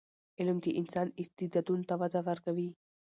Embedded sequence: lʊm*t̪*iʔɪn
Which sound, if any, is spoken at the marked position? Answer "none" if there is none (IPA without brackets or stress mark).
t̪